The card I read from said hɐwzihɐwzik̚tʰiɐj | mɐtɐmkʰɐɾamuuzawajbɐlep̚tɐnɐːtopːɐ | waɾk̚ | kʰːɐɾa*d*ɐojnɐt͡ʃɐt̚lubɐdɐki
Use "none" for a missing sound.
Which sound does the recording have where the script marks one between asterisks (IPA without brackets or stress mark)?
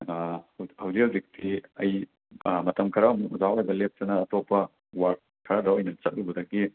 d